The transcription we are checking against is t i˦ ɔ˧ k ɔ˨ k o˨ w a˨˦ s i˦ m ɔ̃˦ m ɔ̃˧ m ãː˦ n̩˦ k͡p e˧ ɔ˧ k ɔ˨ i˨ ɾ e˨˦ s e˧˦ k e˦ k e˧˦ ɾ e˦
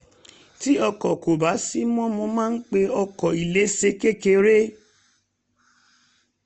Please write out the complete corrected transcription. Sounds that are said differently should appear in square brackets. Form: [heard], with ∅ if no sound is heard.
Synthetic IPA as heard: t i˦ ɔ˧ k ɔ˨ k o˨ [b] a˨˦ s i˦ m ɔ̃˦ m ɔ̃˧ m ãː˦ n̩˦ k͡p e˧ ɔ˧ k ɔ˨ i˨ [l] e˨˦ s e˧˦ k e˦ k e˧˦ ɾ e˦